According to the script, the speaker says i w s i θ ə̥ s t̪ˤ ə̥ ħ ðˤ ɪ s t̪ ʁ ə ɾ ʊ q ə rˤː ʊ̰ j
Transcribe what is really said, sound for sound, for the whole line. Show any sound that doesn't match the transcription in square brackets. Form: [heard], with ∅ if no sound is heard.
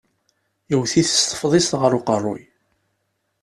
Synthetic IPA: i w [θ] i θ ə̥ s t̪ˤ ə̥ [f] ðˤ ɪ s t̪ ʁ ə ɾ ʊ q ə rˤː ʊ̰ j